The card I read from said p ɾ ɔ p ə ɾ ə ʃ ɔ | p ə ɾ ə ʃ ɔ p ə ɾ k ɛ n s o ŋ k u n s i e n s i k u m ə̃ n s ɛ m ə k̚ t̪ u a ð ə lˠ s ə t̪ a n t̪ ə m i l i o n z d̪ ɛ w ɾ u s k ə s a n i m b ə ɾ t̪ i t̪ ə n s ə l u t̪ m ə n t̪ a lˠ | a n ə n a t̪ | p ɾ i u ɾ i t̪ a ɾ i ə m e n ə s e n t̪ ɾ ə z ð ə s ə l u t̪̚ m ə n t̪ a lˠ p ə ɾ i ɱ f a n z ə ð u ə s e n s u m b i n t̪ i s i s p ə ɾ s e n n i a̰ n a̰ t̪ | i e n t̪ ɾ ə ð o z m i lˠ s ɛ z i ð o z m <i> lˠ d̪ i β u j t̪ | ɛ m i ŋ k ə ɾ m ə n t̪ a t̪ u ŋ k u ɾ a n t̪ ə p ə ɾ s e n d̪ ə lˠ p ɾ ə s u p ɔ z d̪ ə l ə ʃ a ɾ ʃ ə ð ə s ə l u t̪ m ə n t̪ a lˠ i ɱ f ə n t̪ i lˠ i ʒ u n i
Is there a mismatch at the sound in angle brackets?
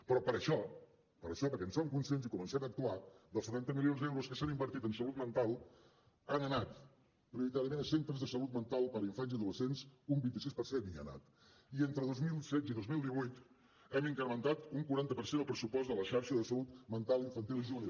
no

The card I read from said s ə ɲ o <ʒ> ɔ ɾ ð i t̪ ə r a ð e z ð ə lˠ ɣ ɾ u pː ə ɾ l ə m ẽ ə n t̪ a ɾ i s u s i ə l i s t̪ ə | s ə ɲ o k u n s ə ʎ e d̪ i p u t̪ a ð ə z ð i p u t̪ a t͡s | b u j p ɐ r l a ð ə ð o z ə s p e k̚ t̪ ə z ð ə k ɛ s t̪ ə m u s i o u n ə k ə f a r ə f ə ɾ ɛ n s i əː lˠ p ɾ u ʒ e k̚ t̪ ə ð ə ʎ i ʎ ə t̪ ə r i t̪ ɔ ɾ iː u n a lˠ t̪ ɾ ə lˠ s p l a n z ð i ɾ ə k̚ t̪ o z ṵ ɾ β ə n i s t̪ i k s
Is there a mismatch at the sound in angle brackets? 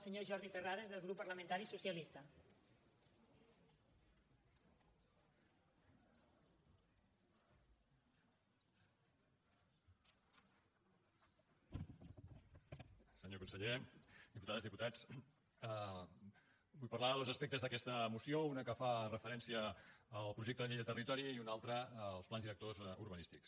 no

